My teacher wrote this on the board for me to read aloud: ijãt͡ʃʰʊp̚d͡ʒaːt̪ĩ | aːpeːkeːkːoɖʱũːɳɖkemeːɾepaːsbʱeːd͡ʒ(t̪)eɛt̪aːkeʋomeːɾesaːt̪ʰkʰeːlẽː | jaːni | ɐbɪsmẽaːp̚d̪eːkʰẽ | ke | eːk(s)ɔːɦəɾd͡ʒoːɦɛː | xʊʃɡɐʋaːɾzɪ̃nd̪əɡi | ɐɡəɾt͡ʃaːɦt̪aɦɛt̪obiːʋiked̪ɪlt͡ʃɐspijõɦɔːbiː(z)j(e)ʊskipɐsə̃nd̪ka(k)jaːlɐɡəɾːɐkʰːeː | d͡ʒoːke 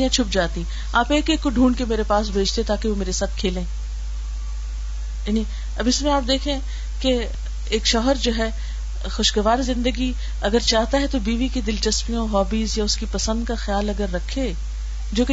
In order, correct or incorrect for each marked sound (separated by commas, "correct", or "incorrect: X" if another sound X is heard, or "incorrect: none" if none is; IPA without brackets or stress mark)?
correct, incorrect: ʃ, correct, incorrect: a, incorrect: x